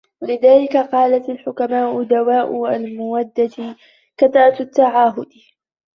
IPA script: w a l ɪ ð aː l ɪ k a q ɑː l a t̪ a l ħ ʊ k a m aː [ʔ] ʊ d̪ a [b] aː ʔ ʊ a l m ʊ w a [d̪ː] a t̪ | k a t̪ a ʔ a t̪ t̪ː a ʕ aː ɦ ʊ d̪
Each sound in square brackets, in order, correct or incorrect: correct, incorrect, correct

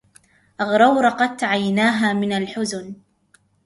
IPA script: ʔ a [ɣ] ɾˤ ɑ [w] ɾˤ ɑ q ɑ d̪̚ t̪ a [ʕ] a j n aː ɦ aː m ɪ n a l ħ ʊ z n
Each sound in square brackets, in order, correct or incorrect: correct, correct, correct

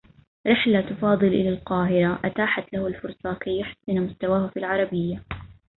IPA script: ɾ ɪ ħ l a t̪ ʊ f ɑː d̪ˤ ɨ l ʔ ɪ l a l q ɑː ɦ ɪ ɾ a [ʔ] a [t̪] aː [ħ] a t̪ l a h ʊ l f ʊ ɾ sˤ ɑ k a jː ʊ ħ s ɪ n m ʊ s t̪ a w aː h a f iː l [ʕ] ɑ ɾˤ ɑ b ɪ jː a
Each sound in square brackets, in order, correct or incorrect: correct, correct, correct, correct

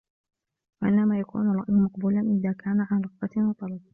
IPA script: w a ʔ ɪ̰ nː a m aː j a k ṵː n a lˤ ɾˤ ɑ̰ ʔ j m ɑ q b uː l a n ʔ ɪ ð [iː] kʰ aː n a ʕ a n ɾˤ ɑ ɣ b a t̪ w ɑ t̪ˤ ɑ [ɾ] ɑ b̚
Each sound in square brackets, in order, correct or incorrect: incorrect, incorrect

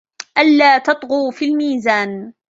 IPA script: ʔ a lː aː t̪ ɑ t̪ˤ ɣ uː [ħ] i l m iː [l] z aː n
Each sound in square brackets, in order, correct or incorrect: incorrect, incorrect

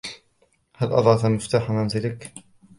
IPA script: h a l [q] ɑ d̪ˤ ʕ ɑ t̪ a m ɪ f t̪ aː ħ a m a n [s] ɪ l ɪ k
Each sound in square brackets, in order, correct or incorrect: incorrect, incorrect

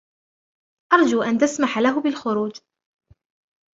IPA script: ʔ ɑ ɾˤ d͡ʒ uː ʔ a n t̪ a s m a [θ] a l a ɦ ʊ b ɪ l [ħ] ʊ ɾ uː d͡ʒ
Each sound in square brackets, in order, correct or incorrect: incorrect, incorrect

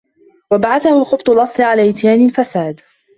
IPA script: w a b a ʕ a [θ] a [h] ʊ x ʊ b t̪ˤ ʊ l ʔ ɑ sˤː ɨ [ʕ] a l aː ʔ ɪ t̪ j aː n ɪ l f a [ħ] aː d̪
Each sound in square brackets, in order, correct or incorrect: correct, correct, correct, incorrect

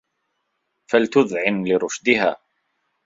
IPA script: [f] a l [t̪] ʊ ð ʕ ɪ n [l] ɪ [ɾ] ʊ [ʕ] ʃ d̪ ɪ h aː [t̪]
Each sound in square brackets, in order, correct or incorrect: correct, correct, correct, correct, incorrect, incorrect

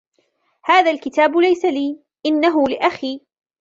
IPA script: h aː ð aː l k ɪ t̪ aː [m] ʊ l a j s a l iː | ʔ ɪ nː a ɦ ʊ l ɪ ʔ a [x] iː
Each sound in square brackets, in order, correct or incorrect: incorrect, correct

